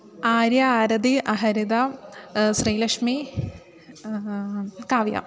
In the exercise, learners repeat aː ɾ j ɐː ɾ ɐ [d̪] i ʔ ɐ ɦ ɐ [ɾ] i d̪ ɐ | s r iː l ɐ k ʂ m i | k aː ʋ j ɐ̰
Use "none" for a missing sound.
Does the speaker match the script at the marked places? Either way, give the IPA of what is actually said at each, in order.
d̪, ɾ

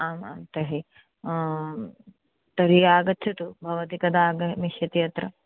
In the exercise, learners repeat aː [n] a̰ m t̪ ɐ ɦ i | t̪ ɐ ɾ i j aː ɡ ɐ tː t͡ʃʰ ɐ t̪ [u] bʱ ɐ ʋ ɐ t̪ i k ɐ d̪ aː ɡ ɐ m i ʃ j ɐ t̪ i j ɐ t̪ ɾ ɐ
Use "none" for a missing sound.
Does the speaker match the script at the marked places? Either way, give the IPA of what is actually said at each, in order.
m, u

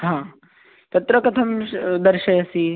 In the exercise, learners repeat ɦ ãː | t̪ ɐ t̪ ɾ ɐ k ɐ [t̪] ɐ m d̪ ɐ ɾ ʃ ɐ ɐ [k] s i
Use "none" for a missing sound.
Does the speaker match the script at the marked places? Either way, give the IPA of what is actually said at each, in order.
t̪ʰ, none

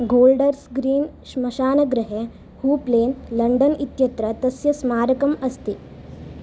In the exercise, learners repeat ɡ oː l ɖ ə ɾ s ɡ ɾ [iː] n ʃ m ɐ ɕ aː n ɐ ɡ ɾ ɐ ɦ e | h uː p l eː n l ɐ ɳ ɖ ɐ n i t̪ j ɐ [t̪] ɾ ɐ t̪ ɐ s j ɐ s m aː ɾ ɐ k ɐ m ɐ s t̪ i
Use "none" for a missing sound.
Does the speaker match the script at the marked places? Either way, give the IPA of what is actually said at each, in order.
iː, t̪

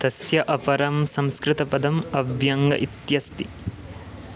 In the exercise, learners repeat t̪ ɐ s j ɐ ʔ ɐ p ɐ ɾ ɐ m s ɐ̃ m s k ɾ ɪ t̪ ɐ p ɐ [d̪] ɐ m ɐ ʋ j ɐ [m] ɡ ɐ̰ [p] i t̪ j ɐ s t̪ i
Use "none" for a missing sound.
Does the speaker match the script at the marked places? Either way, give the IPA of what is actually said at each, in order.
d̪, ŋ, ʔ

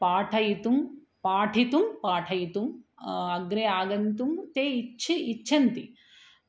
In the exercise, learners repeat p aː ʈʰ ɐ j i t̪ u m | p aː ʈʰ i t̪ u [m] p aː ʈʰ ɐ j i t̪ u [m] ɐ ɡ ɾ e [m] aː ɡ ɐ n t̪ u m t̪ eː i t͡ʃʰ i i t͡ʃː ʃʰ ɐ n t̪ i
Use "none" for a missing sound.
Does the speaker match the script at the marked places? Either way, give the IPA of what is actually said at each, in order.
m, m, none

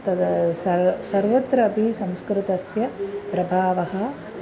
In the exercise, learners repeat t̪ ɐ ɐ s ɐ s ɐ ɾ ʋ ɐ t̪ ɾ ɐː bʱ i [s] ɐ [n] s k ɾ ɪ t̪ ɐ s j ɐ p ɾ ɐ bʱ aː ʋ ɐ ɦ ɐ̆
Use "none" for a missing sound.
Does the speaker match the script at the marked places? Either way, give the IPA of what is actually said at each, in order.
s, m

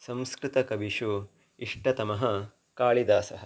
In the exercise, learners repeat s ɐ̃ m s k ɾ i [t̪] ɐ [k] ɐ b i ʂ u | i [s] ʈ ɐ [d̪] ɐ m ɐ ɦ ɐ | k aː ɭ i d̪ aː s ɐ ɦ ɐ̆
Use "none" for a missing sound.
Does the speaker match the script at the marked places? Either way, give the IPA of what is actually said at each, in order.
t̪, k, ʂ, t̪

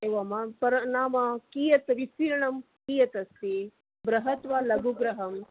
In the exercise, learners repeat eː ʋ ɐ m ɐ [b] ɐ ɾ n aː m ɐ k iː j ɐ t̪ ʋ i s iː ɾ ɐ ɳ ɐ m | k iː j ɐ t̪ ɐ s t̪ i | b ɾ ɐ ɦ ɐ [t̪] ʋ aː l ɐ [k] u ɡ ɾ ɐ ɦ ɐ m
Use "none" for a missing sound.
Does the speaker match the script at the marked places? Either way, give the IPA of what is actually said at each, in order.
p, t̪, ɡ

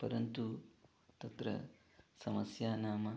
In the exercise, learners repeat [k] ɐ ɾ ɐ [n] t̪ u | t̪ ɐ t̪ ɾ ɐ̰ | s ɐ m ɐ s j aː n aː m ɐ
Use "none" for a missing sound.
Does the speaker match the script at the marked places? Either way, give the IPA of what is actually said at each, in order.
p, n

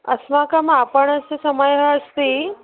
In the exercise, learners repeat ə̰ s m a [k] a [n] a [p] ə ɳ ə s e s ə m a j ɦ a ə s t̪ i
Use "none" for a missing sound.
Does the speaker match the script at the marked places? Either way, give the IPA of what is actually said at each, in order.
k, m, p

